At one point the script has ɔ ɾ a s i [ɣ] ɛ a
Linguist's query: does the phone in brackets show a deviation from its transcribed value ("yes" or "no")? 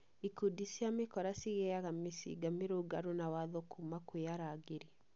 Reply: no